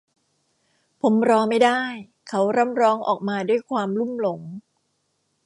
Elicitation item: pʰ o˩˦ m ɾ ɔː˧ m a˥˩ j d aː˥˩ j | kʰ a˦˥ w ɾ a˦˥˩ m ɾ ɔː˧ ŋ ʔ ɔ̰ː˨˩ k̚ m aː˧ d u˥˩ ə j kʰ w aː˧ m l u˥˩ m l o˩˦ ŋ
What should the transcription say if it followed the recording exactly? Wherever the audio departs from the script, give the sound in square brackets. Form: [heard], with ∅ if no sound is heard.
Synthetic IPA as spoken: pʰ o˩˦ m ɾ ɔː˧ m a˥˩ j d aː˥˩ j | kʰ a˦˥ w ɾ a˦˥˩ m ɾ [ɔː˦˥] ŋ ʔ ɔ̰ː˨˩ k̚ m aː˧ d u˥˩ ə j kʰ w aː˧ m l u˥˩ m l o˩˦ ŋ